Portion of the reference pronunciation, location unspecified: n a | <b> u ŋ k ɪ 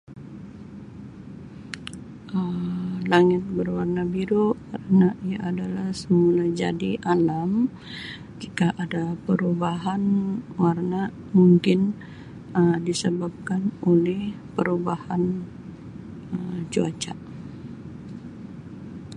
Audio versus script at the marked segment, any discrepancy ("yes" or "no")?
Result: yes